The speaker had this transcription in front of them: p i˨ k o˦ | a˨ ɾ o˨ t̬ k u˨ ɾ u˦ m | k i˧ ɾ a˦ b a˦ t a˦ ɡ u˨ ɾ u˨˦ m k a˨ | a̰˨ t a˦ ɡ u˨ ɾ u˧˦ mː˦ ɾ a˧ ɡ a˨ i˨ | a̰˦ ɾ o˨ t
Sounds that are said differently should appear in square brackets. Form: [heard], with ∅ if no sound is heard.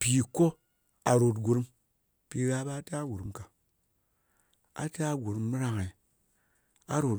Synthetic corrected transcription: p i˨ k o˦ | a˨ ɾ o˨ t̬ [ɡ] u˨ ɾ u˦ m | [p] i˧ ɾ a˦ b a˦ t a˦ ɡ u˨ ɾ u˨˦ m k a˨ | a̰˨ t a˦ ɡ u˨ ɾ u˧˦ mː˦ ɾ a˧ [ŋ] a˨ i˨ | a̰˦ ɾ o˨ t